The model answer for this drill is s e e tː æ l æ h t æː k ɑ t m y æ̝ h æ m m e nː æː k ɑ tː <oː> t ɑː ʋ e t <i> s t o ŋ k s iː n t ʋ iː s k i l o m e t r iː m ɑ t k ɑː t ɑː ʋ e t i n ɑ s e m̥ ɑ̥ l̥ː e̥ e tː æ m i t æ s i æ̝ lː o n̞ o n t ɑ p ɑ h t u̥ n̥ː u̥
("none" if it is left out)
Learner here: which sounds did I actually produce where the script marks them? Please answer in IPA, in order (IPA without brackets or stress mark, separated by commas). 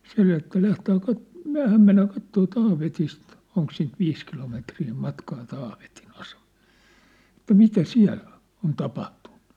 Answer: oː, i